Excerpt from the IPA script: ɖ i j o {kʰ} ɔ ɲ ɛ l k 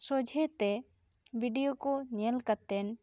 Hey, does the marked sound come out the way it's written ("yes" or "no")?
no